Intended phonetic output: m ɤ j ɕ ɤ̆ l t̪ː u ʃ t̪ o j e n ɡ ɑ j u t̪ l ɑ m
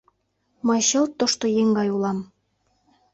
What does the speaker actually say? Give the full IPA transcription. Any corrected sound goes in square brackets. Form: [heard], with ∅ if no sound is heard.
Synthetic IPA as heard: m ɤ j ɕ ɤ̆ l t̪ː [o] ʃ t̪ o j e [ŋ] ɡ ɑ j u [∅] l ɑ m